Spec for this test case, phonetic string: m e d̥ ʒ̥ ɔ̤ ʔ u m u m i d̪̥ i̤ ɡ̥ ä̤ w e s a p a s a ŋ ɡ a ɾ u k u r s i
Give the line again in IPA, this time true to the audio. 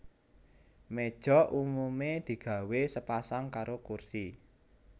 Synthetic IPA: m e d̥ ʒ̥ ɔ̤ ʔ u m u m e d̪̥ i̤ ɡ̥ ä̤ w e s ə p a s a ŋ k a ɾ o k u r s i

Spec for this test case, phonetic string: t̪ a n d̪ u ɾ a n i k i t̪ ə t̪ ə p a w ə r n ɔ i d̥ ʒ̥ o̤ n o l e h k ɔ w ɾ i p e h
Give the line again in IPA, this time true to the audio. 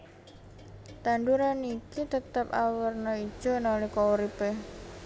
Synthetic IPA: t̪ a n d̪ u ɾ a n i k i t̪ ə t̪ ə p a w ə r n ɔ i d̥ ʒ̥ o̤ n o l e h k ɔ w ɾ i p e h

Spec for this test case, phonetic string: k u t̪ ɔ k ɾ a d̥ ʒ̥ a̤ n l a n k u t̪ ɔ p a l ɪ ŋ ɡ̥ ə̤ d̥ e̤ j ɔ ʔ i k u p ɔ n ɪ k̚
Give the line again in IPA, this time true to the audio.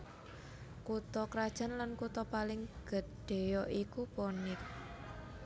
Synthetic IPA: k u t̪ ɔ k ɾ a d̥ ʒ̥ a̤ n l a n k u t̪ ɔ p a l ɪ ŋ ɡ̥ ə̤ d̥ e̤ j ɔ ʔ i k u p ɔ n ɪ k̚

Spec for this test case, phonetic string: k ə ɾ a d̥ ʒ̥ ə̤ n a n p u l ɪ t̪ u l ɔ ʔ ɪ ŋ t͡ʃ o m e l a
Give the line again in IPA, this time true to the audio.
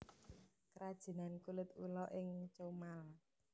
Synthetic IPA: k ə ɾ a d̥ ʒ̥ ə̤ n a n k u l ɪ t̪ u l ɔ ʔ ɪ ŋ t͡ʃ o m a l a

